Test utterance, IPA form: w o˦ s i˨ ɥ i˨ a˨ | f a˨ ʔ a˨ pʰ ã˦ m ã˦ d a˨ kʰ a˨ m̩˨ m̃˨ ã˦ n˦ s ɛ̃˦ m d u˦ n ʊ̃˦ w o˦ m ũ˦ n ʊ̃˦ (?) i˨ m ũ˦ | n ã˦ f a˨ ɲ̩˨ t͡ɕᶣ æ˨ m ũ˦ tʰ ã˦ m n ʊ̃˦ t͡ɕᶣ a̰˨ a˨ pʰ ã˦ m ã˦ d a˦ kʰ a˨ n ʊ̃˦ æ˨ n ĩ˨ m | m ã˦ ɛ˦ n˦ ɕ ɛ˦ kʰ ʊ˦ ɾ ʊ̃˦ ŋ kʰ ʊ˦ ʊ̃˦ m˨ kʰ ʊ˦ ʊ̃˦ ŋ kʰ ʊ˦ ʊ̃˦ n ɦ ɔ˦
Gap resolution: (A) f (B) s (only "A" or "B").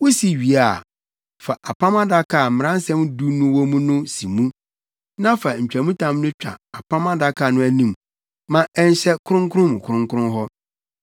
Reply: B